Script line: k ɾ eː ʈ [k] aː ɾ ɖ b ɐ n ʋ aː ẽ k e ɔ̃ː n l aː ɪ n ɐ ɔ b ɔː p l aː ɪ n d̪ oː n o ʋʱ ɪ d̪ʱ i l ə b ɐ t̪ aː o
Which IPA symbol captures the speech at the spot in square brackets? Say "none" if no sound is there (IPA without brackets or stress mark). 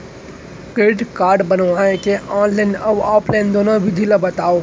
k